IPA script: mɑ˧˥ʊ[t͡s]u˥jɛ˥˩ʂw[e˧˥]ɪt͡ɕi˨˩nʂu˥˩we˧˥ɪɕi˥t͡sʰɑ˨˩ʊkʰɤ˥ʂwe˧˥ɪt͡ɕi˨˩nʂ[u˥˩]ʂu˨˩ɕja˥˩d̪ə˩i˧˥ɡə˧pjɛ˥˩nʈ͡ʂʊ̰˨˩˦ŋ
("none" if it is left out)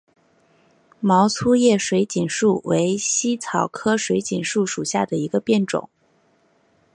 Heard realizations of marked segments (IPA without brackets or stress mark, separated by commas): t͡sʰ, e˧˥, u˥˩